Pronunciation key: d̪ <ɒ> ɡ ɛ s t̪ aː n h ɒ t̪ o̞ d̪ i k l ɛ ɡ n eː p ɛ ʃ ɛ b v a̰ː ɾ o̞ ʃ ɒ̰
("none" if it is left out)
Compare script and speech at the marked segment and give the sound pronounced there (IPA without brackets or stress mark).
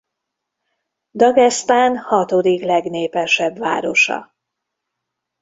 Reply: ɒ